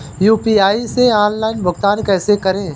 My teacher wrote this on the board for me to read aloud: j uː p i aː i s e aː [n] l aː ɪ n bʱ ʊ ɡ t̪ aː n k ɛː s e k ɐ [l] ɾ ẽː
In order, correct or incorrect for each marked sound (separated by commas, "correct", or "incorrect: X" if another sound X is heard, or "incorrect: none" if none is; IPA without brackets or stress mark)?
correct, incorrect: none